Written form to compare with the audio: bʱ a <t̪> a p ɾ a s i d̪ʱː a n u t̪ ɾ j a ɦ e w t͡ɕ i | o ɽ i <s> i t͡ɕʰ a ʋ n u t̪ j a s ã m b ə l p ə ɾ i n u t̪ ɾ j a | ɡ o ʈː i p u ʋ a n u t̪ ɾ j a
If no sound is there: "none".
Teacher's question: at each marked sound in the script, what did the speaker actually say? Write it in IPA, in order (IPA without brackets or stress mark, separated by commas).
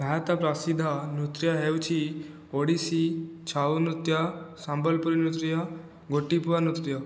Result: t̪, s